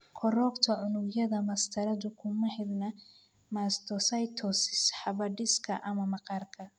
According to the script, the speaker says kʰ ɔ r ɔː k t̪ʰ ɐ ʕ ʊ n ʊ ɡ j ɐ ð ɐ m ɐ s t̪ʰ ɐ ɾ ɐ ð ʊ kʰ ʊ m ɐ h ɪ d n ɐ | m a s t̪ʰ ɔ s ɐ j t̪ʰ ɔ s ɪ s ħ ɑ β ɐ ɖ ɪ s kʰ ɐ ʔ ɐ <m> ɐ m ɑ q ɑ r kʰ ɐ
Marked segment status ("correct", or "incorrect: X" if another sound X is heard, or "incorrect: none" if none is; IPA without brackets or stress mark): correct